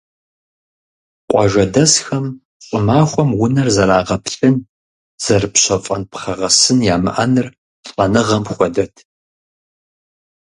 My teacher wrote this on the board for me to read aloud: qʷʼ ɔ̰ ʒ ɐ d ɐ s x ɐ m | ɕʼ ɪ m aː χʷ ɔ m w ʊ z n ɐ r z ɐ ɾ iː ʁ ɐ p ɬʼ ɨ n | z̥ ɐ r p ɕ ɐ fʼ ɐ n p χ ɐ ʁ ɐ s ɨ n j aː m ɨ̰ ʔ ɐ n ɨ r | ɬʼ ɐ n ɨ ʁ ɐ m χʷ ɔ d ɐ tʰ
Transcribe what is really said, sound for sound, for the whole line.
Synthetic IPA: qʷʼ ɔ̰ ʒ ɐ d ɐ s x ɐ m | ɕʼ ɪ m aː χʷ ɔ m w ʊ n ɐ r z ɐ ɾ aː ʁ ɐ p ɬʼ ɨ n | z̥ ɐ r p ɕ ɐ fʼ ɐ n p χ ɐ ʁ ɐ s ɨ n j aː m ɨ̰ ʔ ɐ n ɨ r | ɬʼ ɐ n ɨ ʁ ɐ m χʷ ɔ d ɐ tʰ